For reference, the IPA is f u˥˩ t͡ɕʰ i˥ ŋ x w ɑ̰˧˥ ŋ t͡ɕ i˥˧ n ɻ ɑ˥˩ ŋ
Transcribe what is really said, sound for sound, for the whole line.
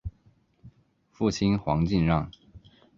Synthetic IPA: f u˥˩ t͡ɕʰ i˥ n x w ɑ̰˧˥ ŋ t͡ɕ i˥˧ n ɻ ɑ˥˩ ŋ